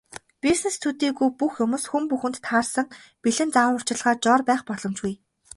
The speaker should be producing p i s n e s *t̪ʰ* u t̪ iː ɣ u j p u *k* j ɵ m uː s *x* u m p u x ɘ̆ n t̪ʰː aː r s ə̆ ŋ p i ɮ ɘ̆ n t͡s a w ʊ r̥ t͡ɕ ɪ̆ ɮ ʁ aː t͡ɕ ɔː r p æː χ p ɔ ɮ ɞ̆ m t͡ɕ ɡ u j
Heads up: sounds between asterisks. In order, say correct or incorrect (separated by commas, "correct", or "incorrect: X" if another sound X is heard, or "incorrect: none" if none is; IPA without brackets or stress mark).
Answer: correct, incorrect: x, correct